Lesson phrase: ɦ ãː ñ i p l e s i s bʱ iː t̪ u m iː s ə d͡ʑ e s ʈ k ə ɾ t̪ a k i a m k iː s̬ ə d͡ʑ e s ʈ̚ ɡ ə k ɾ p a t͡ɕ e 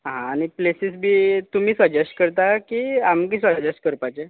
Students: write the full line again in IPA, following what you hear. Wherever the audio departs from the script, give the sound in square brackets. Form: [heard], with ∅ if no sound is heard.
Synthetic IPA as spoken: ɦ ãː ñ i p l e s i s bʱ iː t̪ u m iː s ə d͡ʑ e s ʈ k ə ɾ t̪ a k i a m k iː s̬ ə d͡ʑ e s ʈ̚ [k] ə [∅] ɾ p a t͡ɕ e